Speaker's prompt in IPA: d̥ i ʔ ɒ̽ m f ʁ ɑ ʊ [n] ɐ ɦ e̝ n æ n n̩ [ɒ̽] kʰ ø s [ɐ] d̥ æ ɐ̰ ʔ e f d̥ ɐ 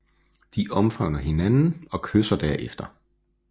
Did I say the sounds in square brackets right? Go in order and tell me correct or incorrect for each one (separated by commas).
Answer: correct, correct, correct